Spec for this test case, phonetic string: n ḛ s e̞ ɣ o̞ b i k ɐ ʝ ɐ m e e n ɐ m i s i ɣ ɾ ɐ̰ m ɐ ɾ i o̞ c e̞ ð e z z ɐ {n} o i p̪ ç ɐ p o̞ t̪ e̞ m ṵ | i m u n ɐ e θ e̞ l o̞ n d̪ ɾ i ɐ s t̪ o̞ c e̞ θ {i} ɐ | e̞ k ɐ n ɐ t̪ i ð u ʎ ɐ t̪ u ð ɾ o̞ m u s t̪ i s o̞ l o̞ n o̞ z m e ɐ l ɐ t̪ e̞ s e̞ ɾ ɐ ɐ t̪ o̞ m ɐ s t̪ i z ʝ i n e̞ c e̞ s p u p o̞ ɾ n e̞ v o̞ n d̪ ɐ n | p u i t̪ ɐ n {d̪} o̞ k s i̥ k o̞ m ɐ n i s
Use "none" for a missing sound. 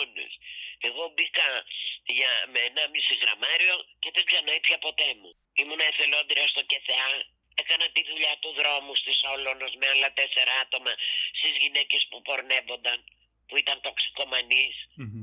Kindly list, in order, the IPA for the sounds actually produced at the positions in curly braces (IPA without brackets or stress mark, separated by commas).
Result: n, e, t̪